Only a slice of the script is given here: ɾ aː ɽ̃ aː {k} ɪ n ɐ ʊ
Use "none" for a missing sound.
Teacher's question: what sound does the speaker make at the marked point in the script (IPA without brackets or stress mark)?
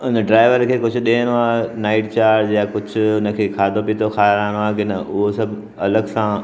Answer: k